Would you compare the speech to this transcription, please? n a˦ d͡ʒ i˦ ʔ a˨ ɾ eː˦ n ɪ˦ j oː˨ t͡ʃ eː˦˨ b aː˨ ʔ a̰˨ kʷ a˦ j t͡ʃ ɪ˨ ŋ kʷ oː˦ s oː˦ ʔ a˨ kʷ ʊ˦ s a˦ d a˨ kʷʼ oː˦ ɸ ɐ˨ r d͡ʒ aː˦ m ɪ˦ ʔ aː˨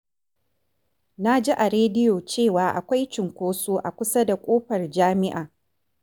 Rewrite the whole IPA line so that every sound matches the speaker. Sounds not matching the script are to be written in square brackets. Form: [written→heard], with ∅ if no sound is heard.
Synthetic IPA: n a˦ d͡ʒ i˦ ʔ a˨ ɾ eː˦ [n→d] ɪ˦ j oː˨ t͡ʃ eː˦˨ [b→w] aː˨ ʔ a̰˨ kʷ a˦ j t͡ʃ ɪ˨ ŋ kʷ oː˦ s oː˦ ʔ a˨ kʷ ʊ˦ s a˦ d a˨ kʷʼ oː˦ ɸ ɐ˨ r d͡ʒ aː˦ m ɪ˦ ʔ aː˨